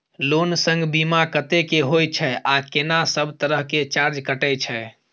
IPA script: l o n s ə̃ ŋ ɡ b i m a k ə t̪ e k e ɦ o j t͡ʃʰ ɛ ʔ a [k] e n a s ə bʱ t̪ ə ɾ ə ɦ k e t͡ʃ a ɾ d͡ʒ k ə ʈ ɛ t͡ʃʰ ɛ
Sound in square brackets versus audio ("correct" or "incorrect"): correct